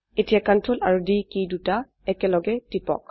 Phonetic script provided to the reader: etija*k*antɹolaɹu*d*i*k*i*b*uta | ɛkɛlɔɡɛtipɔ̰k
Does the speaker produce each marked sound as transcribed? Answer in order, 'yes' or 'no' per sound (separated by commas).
yes, yes, yes, no